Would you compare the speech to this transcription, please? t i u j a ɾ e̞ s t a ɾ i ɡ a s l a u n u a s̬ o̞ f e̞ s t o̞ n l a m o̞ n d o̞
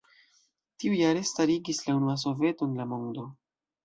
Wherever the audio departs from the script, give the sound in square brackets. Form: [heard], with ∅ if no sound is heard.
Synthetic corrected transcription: t i u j a ɾ e̞ s t a ɾ i ɡ [i] s l a u n u a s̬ o̞ [v] e̞ [∅] t o̞ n l a m o̞ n d o̞